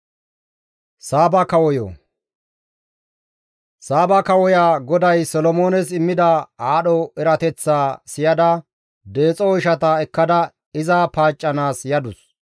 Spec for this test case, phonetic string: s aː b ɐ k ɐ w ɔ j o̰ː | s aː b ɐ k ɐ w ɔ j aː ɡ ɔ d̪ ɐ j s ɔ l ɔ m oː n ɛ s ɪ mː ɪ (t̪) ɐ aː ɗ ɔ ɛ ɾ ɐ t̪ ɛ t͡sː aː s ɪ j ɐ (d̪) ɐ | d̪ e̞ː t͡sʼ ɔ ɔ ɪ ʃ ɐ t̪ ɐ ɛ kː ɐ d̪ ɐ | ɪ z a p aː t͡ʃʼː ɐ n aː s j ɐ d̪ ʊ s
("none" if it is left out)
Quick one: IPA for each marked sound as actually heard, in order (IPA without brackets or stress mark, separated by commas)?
d̪, d̪